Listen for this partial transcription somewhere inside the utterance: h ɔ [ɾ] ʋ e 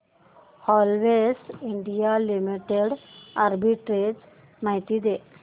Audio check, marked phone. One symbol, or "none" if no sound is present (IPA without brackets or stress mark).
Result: l